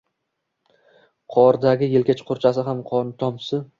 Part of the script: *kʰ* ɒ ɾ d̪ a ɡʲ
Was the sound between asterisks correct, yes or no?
no